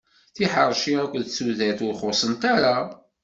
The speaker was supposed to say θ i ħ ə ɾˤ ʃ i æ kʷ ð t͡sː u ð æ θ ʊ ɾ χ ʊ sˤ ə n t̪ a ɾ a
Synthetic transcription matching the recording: θ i ħ ə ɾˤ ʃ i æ kʷ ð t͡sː u ð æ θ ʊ ɾ χ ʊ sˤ ə n t̪ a ɾ a